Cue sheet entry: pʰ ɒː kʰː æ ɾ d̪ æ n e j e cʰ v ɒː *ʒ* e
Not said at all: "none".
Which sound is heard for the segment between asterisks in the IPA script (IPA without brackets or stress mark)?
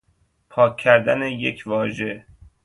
ʒ